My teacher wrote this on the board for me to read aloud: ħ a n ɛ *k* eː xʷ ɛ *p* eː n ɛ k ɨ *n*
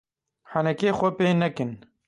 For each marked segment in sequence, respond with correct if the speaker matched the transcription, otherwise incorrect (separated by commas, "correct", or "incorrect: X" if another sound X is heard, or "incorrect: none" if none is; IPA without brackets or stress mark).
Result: correct, correct, correct